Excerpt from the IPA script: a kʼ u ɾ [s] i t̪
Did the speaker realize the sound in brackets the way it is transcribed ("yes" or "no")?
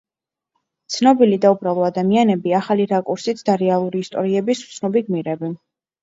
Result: yes